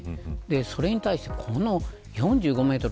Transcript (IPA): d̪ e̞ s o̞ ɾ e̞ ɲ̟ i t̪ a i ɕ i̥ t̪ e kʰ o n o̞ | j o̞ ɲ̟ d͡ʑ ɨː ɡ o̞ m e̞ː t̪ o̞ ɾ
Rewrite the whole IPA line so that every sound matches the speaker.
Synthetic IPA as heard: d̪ e̞ s o̞ ɾ e̞ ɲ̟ i t̪ a i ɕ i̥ t̪ e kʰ o n o̞ | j õ̞ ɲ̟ d͡ʑ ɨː ɡ o̞ m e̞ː t̪ o̞ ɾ